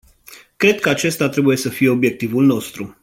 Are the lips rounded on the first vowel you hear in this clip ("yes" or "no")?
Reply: no